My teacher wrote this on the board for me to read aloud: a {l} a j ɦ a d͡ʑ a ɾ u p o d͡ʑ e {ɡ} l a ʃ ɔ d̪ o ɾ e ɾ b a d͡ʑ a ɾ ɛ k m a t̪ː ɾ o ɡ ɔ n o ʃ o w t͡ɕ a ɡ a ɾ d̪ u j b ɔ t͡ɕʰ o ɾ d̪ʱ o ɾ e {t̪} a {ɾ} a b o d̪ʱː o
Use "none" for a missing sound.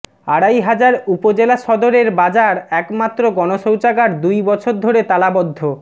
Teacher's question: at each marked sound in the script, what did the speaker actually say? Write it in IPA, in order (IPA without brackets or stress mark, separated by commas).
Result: ɽ, none, t̪, l